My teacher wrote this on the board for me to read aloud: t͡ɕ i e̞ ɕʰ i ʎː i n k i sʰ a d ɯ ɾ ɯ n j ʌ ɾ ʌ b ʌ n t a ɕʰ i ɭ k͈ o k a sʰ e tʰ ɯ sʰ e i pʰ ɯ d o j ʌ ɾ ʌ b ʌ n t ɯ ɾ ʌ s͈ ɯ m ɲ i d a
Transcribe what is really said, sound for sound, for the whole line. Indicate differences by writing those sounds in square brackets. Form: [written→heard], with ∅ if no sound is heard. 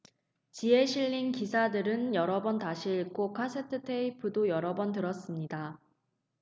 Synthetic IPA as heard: t͡ɕ i e̞ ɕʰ i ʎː i n k i sʰ a d ɯ ɾ ɯ n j ʌ ɾ ʌ b ʌ n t a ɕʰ i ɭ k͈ o [k→kʰ] a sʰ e tʰ ɯ [sʰ→tʰ] e i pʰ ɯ d o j ʌ ɾ ʌ b ʌ n t ɯ ɾ ʌ s͈ ɯ m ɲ i d a